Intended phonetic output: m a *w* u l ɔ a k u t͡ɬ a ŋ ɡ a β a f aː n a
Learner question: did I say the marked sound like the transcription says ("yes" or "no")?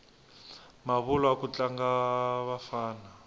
no